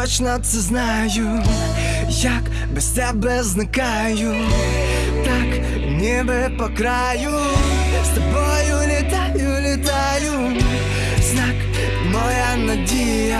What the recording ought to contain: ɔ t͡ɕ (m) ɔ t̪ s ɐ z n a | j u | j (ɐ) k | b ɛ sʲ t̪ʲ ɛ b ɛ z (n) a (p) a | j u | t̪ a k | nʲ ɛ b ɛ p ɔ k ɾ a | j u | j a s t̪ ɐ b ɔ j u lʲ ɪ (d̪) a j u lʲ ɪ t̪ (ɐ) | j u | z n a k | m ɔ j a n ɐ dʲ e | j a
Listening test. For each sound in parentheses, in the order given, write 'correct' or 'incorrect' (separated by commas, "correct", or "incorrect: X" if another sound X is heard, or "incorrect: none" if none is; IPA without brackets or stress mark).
incorrect: n, incorrect: a, correct, incorrect: k, incorrect: t̪, incorrect: a